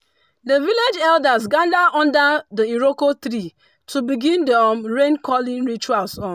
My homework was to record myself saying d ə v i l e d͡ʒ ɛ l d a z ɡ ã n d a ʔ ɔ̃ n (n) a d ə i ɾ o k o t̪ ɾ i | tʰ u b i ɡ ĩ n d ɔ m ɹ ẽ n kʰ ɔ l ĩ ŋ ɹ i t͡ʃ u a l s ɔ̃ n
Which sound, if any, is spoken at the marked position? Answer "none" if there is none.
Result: d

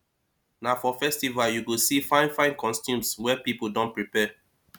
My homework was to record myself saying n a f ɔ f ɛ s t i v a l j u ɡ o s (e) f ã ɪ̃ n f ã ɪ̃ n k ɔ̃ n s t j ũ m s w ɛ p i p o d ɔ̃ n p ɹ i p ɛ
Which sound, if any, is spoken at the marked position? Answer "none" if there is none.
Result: i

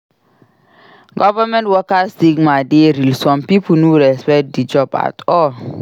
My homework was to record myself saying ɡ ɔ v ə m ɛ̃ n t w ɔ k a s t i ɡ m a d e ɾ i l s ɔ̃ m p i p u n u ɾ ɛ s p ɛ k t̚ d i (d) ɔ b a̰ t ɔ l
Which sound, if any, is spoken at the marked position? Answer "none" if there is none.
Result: d͡ʒ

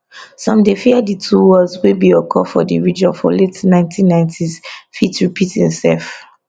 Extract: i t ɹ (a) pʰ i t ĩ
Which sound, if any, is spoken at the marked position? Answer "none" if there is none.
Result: i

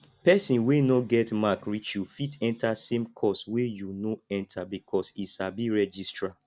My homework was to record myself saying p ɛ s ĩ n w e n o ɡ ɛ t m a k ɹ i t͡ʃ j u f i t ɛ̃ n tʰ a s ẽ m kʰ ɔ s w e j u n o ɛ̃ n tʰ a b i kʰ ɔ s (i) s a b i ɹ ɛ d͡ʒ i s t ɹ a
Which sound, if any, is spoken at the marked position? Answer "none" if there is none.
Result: i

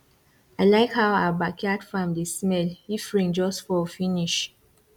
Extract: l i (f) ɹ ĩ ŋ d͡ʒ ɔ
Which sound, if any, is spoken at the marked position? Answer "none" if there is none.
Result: f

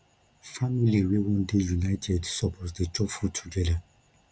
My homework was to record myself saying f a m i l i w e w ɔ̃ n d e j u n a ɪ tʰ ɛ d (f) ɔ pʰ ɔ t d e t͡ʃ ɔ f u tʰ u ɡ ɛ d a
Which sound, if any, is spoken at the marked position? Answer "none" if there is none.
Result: s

